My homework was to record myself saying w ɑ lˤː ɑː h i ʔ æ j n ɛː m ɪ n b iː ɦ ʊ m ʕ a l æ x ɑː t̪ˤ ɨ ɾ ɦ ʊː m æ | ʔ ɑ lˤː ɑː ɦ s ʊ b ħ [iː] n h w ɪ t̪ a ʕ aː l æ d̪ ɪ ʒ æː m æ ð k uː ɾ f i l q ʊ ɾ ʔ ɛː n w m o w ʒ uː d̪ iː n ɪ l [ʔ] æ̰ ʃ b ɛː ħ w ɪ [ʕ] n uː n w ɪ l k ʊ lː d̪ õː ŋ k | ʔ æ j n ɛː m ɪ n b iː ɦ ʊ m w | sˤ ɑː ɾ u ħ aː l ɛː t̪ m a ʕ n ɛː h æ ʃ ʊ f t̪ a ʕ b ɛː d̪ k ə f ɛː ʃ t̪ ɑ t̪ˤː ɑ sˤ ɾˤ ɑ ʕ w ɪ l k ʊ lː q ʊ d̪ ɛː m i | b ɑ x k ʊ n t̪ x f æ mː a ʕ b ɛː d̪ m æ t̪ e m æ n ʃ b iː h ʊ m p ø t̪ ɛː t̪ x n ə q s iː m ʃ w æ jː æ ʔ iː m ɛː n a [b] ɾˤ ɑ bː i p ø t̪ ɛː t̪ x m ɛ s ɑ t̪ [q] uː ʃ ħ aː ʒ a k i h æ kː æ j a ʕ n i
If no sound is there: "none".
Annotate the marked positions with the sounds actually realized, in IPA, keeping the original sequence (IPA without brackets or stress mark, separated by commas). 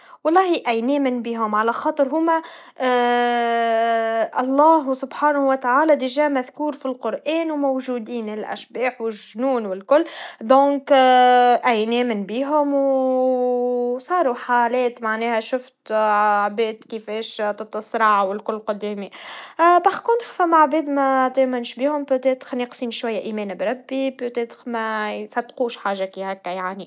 aː, ʔ, ʒ, b, q